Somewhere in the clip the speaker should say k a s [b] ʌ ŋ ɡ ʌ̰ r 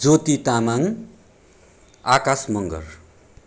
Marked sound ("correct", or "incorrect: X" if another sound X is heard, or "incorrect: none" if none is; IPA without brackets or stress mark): incorrect: m